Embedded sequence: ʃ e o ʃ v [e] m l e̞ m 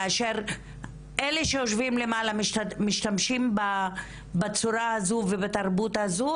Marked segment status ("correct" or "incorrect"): incorrect